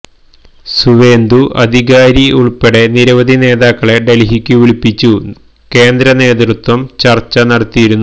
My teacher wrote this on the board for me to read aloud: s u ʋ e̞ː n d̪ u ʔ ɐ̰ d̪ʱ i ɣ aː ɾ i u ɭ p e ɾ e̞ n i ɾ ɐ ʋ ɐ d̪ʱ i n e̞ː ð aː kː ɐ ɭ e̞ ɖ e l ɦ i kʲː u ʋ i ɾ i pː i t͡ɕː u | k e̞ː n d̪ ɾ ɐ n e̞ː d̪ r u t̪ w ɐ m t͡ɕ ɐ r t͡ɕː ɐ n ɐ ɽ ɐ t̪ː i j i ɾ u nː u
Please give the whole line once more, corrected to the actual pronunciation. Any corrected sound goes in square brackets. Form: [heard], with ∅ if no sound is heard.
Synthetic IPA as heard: s u ʋ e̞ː n d̪ u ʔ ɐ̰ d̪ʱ i ɣ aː ɾ i u ɭ p e [ɽ] e̞ n i ɾ ɐ ʋ ɐ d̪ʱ i n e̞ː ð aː kː ɐ ɭ e̞ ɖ e l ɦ i kʲː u ʋ i [ɭ] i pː i t͡ɕː u | k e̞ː n d̪ ɾ ɐ n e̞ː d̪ r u t̪ w ɐ m t͡ɕ ɐ r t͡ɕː ɐ n ɐ ɽ ɐ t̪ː i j i ɾ u nː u

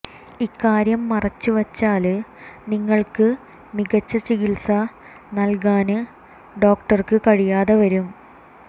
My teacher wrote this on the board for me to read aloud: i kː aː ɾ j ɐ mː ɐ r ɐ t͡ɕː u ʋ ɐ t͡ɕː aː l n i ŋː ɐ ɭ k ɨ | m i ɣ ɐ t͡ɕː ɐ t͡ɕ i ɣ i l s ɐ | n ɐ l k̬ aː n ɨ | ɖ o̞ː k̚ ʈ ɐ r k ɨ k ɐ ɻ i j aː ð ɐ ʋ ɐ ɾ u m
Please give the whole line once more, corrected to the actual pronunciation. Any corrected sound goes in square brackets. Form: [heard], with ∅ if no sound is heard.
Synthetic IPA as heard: i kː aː ɾ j ɐ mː ɐ r ɐ t͡ɕː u ʋ ɐ t͡ɕː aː l n i ŋː ɐ ɭ k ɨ | m i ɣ ɐ t͡ɕː ɐ t͡ɕ i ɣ i l s ɐ | n ɐ l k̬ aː n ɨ | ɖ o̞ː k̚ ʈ ɐ r k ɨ k ɐ ɻ i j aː ð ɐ ʋ ɐ ɾ u m

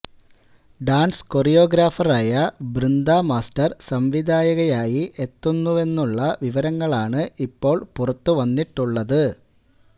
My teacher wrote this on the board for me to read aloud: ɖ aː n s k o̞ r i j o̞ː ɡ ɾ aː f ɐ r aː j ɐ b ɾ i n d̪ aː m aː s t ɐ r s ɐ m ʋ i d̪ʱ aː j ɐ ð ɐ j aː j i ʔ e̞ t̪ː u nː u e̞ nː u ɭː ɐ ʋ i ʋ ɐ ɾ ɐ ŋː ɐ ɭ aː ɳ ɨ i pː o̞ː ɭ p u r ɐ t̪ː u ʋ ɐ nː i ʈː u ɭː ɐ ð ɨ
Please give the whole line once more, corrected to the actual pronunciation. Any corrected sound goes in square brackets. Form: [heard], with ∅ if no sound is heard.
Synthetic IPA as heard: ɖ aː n s k o̞ r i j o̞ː ɡ ɾ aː f ɐ r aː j ɐ b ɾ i n d̪ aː m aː s t ɐ r s ɐ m ʋ i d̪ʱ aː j ɐ [ɣ] ɐ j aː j i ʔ e̞ t̪ː u nː u e̞ nː u ɭː ɐ ʋ i ʋ ɐ ɾ ɐ ŋː ɐ ɭ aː ɳ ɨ i pː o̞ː ɭ p u r ɐ t̪ː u ʋ ɐ nː i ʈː u ɭː ɐ ð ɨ

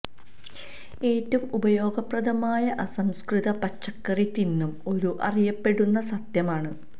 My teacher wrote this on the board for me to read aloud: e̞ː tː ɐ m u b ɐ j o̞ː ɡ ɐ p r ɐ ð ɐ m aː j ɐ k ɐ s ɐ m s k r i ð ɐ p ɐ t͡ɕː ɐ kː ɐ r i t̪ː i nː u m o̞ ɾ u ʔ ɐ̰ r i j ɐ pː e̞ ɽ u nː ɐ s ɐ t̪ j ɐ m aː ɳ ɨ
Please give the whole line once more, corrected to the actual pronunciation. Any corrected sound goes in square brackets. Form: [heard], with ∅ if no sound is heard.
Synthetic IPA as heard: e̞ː tː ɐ m u b ɐ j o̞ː ɡ ɐ p r ɐ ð ɐ m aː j ɐ [ʔ] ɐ s ɐ m s k r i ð ɐ p ɐ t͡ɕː ɐ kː ɐ r i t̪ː i nː u m o̞ ɾ u ʔ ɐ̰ r i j ɐ pː e̞ ɽ u nː ɐ s ɐ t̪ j ɐ m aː ɳ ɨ

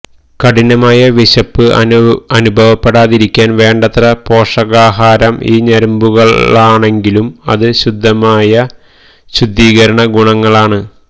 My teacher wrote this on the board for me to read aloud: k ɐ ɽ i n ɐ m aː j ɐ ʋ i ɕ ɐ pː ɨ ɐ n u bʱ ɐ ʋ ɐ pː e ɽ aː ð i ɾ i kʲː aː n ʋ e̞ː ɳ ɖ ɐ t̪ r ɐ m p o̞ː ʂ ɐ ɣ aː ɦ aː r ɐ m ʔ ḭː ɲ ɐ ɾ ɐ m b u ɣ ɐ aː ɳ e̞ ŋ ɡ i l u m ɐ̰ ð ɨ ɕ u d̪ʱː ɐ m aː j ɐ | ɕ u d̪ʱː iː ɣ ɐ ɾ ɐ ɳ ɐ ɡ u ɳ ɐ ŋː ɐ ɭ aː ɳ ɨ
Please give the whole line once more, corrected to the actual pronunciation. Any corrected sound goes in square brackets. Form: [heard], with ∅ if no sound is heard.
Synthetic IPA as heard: k ɐ ɽ i n ɐ m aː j ɐ ʋ i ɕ ɐ pː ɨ ɐ n u bʱ ɐ ʋ ɐ pː e ɽ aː ð i ɾ i kʲː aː n ʋ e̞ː ɳ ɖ ɐ t̪ r ɐ [∅] p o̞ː ʂ ɐ ɣ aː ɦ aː [ɾ] ɐ m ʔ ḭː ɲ ɐ ɾ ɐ m b u ɣ ɐ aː ɳ e̞ ŋ ɡ i l u m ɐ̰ ð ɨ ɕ u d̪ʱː ɐ m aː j ɐ | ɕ u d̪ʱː iː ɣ ɐ ɾ ɐ ɳ ɐ ɡ u ɳ ɐ ŋː ɐ ɭ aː ɳ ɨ

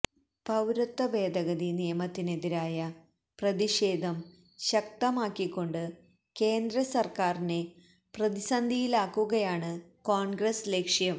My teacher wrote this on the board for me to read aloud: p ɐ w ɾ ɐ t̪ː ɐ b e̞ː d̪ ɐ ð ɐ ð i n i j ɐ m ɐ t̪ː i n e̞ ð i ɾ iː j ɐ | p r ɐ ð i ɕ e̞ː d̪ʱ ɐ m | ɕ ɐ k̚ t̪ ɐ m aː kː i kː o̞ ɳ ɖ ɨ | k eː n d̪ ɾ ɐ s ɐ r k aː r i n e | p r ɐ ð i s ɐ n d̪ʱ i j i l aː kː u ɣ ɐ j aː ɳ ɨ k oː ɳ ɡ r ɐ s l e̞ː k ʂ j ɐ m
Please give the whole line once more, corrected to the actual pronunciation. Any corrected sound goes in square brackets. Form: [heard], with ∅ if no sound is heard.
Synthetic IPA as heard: p ɐ w ɾ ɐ t̪ː ɐ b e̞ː d̪ ɐ [ɣ] ɐ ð i n i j ɐ m ɐ t̪ː i n e̞ ð i ɾ [aː] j ɐ | p r ɐ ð i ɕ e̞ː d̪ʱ ɐ m | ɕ ɐ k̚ t̪ ɐ m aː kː i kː o̞ ɳ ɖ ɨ | k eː n d̪ ɾ ɐ s ɐ r k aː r i n e | p r ɐ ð i s ɐ n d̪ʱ i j i l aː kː u ɣ ɐ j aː ɳ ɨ k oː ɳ ɡ r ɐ s l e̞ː k ʂ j ɐ m

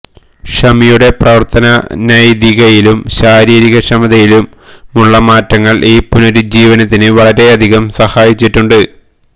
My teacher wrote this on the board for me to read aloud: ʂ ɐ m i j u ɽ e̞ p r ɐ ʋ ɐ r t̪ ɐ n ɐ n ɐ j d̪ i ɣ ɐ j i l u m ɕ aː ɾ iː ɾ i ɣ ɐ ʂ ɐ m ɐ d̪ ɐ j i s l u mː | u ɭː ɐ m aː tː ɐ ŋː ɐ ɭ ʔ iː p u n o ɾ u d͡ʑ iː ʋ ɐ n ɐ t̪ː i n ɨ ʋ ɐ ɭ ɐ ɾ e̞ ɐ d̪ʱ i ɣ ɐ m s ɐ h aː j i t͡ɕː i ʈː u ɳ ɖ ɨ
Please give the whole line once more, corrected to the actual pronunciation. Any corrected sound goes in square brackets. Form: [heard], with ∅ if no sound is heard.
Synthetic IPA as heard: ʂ ɐ m i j u ɽ e̞ p r ɐ ʋ ɐ r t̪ ɐ n ɐ n ɐ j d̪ i ɣ ɐ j i l u m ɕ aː ɾ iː ɾ i ɣ ɐ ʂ ɐ m ɐ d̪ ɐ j i [∅] l u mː | u ɭː ɐ m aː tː ɐ ŋː ɐ ɭ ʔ iː p u n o ɾ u d͡ʑ iː ʋ ɐ n ɐ t̪ː i n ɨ ʋ ɐ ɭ ɐ ɾ e̞ ɐ d̪ʱ i ɣ ɐ m s ɐ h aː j i t͡ɕː i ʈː u ɳ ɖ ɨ

